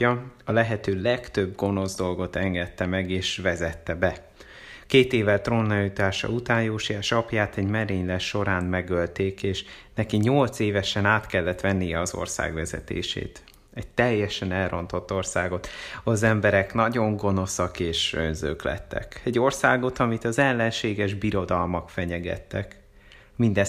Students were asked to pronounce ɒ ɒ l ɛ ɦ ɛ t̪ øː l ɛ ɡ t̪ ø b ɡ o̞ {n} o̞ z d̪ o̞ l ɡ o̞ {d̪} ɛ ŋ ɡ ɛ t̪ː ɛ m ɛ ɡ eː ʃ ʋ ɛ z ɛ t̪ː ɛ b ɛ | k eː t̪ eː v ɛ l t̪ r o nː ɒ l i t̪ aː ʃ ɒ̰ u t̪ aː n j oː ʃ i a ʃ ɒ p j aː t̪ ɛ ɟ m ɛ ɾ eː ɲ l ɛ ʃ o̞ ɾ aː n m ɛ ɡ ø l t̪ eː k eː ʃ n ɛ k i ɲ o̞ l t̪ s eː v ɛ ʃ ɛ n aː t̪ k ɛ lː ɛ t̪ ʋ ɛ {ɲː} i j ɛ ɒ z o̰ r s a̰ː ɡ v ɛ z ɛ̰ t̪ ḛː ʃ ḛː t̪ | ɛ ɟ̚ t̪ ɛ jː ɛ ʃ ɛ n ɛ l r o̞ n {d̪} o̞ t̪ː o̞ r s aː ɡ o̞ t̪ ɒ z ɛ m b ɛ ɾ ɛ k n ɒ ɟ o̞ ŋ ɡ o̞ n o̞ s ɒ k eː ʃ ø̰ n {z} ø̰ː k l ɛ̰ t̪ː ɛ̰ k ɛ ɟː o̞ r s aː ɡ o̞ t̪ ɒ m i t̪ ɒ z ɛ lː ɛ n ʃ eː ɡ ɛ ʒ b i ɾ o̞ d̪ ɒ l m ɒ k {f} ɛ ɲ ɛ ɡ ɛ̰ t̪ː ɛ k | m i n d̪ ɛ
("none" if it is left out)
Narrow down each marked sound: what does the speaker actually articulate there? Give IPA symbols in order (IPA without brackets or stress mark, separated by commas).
n, t̪, nː, t̪, z, f